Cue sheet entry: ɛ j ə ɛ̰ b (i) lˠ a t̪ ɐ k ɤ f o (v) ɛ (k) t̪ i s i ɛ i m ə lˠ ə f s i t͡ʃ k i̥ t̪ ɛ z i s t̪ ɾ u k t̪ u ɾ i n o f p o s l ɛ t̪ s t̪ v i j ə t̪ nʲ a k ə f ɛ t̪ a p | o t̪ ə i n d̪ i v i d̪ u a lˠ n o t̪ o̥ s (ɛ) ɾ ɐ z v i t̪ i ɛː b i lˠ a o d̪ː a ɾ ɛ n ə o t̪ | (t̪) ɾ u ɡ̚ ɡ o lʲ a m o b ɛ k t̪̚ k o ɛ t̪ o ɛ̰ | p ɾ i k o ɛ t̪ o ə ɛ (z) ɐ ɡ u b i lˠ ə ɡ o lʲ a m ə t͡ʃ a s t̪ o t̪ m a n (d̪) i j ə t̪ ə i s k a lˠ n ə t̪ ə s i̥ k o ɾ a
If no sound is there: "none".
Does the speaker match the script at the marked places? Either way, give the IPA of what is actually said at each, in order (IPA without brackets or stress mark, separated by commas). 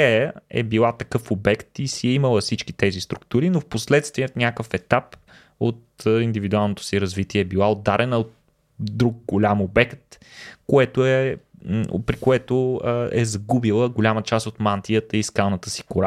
i, b, k, i, d̪, z, t̪